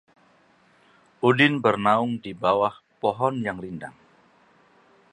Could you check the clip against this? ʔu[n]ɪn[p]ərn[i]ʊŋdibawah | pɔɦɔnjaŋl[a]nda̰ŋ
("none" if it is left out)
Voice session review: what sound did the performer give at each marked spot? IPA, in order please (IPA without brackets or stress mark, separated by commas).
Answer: d, b, a, i